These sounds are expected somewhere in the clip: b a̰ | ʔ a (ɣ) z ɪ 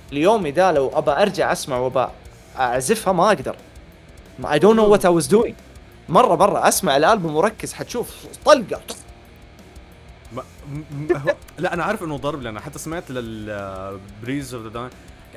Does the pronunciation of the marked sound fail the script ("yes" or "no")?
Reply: yes